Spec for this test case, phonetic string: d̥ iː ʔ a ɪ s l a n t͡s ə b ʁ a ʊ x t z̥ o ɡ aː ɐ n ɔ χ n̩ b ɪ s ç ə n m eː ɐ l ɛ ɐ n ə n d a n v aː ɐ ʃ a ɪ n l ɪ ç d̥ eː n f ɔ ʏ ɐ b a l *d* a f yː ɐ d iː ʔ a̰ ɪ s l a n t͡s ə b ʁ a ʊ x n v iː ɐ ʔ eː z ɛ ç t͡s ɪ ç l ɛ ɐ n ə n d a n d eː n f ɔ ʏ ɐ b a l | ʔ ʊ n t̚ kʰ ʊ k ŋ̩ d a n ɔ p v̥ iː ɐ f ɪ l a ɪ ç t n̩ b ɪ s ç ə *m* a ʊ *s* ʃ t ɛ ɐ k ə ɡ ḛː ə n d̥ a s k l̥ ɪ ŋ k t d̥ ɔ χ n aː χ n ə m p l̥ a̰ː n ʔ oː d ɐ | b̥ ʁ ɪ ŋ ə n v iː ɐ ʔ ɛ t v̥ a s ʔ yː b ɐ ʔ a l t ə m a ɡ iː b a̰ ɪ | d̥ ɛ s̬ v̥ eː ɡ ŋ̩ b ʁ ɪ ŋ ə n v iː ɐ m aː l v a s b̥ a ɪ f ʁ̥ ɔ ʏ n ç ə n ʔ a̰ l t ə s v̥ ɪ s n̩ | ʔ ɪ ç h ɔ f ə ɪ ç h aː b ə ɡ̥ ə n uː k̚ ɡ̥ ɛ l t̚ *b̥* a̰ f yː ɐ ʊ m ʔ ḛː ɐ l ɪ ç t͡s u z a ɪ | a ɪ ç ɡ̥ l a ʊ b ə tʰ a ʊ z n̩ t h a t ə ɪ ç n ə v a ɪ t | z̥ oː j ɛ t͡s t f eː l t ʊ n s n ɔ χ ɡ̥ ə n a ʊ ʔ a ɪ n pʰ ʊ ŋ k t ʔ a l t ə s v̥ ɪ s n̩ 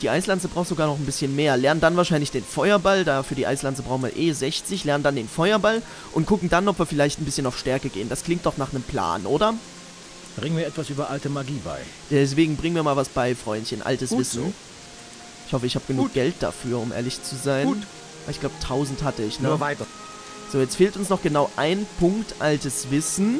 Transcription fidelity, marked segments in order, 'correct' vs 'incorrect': correct, incorrect, incorrect, incorrect

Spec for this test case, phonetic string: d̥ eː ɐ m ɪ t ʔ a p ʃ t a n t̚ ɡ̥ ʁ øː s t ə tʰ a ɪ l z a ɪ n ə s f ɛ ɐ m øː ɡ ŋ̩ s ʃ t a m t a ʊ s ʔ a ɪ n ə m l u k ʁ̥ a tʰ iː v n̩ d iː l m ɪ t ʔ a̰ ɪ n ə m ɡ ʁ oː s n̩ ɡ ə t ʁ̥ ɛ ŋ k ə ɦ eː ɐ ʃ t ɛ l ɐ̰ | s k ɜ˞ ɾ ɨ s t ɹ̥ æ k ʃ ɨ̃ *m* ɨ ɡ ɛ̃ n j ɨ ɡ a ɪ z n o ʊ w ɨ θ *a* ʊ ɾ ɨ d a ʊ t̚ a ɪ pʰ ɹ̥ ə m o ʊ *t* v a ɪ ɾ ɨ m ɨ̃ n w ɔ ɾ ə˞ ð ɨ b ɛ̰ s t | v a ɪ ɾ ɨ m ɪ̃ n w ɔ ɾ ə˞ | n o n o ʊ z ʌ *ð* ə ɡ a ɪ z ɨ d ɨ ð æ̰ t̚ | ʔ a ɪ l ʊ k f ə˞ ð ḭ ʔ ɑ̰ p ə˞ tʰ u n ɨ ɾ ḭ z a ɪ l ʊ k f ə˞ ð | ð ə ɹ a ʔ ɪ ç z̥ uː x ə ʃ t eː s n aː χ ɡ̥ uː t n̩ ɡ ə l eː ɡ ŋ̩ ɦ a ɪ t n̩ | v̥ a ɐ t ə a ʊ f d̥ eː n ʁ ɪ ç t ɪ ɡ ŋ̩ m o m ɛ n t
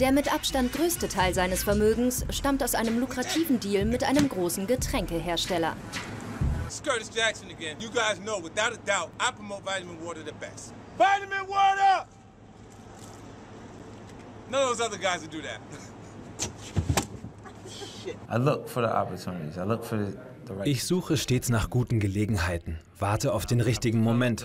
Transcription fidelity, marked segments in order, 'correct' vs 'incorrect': incorrect, correct, correct, correct

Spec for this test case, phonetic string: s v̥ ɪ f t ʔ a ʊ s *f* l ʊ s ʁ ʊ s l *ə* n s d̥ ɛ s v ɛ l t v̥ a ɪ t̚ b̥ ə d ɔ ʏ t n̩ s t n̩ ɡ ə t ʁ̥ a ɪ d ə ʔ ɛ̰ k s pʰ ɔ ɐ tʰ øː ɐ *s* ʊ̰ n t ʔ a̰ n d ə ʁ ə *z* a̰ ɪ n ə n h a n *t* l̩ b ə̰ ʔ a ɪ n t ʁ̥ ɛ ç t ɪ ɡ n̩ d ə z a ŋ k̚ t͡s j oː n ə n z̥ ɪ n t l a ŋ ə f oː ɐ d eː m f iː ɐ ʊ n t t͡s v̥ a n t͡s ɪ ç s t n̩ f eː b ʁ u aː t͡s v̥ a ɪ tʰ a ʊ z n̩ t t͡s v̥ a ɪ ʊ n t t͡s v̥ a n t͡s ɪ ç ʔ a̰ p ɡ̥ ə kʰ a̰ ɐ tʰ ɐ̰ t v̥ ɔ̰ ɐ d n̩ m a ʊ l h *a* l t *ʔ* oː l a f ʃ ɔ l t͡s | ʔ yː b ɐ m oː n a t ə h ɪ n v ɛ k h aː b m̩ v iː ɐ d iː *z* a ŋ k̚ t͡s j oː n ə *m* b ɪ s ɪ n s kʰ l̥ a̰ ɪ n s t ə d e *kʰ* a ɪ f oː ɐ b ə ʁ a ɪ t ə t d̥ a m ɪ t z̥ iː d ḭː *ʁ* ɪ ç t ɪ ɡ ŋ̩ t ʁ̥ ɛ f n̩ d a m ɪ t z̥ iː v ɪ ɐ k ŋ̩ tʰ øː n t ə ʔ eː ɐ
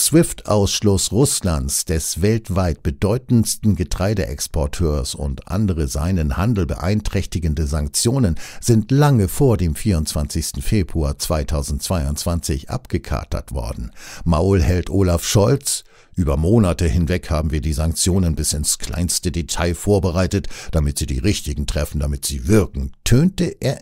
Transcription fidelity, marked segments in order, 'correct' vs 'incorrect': incorrect, incorrect, correct, correct, incorrect, incorrect, correct, correct, incorrect, incorrect, correct

